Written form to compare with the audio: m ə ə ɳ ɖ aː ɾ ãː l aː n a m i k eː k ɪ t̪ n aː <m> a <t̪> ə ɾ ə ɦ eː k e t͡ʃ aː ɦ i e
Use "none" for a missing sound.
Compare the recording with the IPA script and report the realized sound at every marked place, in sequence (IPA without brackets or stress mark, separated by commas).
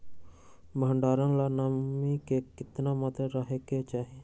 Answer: m, t̪